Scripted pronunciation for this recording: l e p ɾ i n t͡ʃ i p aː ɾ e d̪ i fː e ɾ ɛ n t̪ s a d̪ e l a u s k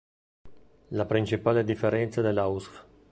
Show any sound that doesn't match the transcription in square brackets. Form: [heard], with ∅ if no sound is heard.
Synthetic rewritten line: l [a] p ɾ i n t͡ʃ i p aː [l] e d̪ i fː e ɾ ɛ n t̪ s a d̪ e l a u s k